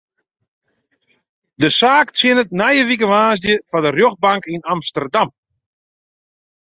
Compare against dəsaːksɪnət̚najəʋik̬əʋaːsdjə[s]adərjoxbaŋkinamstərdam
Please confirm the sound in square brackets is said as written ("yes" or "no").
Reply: no